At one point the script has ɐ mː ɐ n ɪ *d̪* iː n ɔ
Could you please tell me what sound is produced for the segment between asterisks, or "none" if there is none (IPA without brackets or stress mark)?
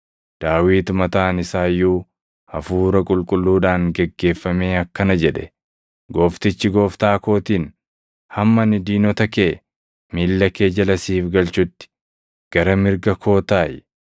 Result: d̪